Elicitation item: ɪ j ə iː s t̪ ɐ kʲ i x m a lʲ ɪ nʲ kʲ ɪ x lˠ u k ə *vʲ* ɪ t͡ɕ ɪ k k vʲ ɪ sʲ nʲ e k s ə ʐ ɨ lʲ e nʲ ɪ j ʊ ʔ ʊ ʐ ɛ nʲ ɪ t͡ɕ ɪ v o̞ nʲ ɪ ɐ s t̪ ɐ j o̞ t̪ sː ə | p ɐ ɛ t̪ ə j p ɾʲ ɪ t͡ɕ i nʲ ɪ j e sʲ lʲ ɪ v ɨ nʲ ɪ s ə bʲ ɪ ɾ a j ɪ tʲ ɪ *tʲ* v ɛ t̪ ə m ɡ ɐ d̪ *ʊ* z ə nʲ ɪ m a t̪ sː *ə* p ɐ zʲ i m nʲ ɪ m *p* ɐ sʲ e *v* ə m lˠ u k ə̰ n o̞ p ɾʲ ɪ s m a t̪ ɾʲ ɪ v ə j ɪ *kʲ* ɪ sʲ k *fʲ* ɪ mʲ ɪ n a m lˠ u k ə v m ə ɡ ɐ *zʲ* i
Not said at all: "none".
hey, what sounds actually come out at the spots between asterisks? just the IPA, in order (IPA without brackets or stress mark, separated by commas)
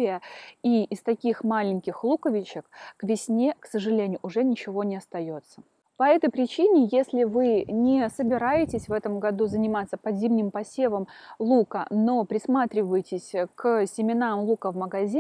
vʲ, sʲ, u, ə, p, v, tʲ, sʲ, zʲ